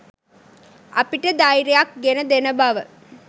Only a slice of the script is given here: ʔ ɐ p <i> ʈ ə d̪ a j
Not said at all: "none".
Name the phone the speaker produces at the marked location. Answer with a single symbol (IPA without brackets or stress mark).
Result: i